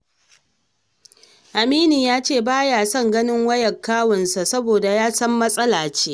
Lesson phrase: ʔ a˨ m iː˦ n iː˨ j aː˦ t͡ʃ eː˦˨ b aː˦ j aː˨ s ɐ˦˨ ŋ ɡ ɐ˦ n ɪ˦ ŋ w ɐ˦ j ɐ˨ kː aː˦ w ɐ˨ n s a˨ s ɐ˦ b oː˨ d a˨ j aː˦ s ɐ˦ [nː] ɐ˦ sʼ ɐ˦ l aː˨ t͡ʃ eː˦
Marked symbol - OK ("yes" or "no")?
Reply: no